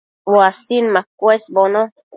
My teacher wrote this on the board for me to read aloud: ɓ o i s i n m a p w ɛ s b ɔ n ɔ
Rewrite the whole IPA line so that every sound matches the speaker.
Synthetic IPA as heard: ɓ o a s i n m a k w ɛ s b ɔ n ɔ

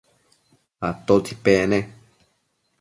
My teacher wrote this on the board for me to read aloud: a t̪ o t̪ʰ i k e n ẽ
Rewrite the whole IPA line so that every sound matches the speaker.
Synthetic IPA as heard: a t̪ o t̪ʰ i p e n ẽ

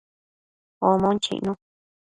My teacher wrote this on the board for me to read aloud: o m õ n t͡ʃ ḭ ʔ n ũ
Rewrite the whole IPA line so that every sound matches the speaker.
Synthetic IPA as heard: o m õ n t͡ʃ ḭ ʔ n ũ

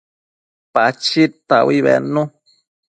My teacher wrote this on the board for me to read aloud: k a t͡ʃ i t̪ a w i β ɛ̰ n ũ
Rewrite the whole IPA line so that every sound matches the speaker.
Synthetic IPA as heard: p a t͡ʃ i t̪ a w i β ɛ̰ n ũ

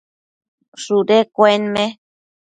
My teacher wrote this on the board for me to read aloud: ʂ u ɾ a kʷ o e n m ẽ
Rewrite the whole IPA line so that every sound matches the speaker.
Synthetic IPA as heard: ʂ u ɾ e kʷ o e n m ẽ

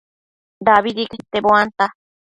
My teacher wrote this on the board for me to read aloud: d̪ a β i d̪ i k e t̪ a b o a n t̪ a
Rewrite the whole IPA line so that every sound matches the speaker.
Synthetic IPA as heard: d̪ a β i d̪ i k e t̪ e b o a n t̪ a

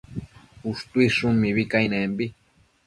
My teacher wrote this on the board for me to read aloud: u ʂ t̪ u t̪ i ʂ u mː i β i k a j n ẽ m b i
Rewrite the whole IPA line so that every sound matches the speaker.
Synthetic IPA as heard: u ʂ t̪ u i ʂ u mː i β i k a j n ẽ m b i

